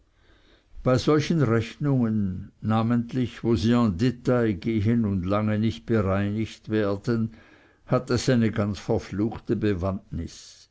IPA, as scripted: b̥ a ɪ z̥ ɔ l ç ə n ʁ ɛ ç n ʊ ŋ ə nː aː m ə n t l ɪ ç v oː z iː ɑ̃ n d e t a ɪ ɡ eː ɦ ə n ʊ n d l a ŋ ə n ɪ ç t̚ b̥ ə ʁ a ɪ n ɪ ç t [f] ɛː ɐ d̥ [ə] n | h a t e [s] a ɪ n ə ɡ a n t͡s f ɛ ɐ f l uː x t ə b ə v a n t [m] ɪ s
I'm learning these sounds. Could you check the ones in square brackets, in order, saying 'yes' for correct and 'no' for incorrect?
no, yes, yes, no

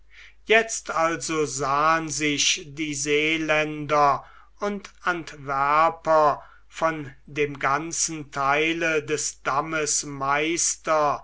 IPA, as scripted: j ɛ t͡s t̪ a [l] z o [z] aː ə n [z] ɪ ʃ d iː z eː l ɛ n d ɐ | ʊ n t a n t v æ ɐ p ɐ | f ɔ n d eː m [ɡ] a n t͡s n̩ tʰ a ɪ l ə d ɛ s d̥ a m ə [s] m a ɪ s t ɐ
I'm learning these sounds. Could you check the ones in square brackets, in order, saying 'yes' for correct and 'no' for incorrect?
yes, yes, yes, yes, yes

